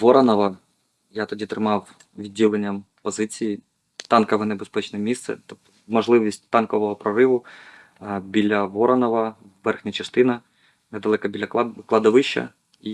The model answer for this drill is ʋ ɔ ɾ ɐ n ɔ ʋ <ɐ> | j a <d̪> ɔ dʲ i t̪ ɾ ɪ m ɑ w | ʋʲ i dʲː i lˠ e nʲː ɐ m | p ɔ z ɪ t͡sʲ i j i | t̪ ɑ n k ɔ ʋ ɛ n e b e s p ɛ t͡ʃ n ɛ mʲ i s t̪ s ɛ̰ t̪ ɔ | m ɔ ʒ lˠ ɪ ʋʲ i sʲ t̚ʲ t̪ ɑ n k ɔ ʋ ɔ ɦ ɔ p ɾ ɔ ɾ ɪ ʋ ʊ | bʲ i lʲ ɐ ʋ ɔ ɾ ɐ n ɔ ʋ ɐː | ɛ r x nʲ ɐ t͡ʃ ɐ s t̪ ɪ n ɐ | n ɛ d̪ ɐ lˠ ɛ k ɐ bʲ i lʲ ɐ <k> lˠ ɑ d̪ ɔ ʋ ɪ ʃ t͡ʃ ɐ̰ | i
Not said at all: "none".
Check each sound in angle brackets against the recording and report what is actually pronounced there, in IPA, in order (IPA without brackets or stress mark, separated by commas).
ɐ, t̪, k